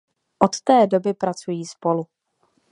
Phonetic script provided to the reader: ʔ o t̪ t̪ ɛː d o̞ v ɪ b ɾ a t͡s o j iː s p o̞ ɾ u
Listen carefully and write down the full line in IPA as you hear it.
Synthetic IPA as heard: ʔ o t̪ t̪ ɛː d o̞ b ɪ p ɾ a t͡s u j iː s p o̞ l u